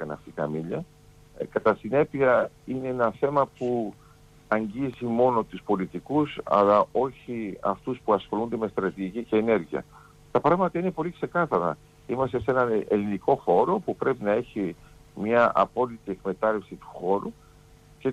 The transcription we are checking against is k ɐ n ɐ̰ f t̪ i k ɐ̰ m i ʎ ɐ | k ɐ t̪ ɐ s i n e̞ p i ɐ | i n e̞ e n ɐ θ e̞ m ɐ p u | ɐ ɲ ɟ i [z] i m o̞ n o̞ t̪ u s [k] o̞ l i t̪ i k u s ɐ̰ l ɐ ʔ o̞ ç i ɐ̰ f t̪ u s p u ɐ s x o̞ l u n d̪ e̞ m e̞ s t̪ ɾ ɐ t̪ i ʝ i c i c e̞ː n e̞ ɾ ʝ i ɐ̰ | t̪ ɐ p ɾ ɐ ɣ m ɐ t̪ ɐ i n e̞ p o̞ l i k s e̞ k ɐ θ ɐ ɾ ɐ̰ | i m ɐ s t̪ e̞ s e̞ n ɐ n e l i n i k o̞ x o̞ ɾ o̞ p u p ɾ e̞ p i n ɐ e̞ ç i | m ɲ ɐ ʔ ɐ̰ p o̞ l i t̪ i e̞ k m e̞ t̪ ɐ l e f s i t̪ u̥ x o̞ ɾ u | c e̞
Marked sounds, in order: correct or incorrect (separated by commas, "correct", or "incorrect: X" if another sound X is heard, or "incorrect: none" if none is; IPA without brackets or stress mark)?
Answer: correct, incorrect: p